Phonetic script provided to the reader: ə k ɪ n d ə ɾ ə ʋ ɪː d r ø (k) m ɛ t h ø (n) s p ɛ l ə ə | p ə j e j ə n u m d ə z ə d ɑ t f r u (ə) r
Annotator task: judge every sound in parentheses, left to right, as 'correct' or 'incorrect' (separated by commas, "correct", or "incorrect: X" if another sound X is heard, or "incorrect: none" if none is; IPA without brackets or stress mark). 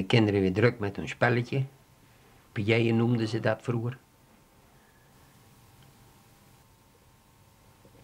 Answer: correct, correct, correct